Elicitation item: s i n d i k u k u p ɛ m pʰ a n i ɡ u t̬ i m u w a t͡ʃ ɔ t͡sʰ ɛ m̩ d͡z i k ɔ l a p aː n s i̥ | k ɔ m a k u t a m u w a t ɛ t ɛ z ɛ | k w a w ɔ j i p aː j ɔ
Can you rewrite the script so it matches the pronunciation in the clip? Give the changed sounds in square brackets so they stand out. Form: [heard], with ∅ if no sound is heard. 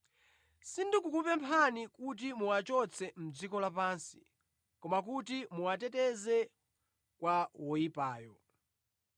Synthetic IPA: s i n d i k u k u p ɛ m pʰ a n i [k] u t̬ i m u w a t͡ʃ ɔ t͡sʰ ɛ m̩ d͡z i k ɔ l a p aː n s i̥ | k ɔ m a k u t [i] m u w a t ɛ t ɛ z ɛ | k w a w ɔ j i p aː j ɔ